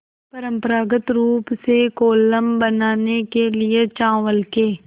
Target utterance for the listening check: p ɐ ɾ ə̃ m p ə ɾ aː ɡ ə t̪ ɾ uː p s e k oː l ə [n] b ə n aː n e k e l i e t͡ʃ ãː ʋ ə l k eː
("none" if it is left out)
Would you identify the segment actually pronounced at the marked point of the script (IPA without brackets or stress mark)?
m